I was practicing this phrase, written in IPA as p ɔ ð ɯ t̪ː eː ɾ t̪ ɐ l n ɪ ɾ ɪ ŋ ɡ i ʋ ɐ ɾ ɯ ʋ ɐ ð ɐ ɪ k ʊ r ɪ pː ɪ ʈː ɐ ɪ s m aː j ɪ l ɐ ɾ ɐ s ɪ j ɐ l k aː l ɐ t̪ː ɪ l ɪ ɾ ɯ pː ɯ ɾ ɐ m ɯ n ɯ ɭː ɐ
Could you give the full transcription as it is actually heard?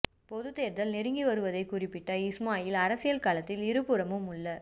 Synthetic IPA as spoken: p ɔ ð ɯ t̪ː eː ɾ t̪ ɐ l n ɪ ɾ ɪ ŋ ɡ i ʋ ɐ ɾ ɯ ʋ ɐ ð ɐ ɪ k ʊ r ɪ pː ɪ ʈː ɐ ɪ s m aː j ɪ l ɐ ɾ ɐ s ɪ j ɐ l k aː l ɐ t̪ː ɪ l ɪ ɾ ɯ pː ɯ ɾ ɐ m ɯ m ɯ ɭː ɐ